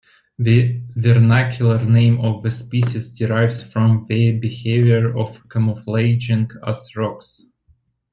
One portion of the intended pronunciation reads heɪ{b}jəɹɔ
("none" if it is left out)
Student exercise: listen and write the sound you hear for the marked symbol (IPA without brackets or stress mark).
v